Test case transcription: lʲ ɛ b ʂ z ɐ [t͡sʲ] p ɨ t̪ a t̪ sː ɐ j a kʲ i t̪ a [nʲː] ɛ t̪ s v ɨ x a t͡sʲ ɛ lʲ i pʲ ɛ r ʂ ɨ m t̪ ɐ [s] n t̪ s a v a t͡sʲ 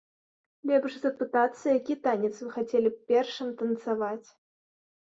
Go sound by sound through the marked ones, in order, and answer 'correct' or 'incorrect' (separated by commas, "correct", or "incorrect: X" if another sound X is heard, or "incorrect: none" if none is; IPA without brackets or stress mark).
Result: incorrect: none, incorrect: nʲ, incorrect: none